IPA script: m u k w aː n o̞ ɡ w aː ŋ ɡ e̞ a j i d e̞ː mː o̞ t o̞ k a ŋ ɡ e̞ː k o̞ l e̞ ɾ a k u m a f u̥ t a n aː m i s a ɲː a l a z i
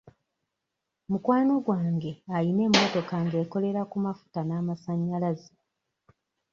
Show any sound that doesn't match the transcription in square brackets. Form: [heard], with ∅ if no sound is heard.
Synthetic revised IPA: m u k w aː n o̞ ɡ w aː ŋ ɡ e̞ a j i [n] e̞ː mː o̞ t o̞ k a ŋ ɡ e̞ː k o̞ l e̞ ɾ a k u m a f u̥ t a n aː m [a] s a ɲː a l a z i